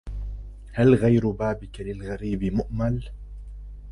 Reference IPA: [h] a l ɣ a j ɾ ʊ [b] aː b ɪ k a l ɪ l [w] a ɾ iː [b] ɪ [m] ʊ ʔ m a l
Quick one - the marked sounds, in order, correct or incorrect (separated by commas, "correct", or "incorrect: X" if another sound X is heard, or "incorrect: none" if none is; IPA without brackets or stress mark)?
correct, correct, incorrect: ɣ, correct, correct